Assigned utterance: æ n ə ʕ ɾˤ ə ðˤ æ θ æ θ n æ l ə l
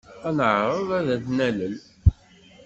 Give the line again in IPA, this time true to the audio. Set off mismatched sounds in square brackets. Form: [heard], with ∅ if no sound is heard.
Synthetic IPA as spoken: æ n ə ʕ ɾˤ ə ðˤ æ [ð] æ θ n æ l ə l

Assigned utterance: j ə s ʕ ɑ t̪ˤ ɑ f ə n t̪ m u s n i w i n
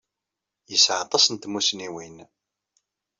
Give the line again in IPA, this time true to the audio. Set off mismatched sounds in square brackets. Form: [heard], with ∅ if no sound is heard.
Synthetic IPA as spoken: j ə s ʕ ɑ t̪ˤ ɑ [s] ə n t̪ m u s n i w i n

